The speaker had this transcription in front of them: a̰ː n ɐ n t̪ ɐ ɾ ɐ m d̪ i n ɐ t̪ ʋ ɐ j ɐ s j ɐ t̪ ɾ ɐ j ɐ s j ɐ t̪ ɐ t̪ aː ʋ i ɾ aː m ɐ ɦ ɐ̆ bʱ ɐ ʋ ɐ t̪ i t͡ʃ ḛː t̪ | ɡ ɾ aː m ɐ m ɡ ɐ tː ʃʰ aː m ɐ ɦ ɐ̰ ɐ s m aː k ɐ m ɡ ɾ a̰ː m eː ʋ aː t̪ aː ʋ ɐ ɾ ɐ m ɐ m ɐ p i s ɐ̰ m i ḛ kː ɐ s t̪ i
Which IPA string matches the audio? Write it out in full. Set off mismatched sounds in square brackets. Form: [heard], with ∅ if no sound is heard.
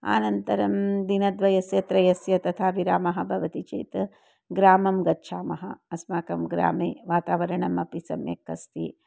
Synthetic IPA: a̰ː n ɐ n t̪ ɐ ɾ ɐ m d̪ i n ɐ [d̪] ʋ ɐ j ɐ s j ɐ t̪ ɾ ɐ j ɐ s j ɐ t̪ ɐ [t̪ʰ] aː ʋ i ɾ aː m ɐ ɦ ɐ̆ bʱ ɐ ʋ ɐ t̪ i t͡ʃ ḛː t̪ | ɡ ɾ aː m ɐ m ɡ ɐ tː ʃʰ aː m ɐ ɦ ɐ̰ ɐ s m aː k ɐ m ɡ ɾ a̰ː m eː ʋ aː t̪ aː ʋ ɐ ɾ ɐ [ɳ] ɐ m ɐ p i s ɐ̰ m [j] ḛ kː ɐ s t̪ i